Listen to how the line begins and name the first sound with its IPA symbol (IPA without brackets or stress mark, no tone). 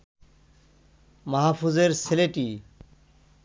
m